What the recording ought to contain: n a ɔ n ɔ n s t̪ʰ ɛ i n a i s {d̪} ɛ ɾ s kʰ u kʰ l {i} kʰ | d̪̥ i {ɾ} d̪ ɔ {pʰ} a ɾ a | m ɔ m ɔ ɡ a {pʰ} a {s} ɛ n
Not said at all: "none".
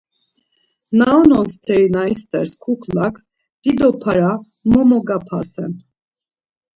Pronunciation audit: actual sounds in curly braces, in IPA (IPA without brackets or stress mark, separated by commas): t̪, a, none, pʰ, pʰ, s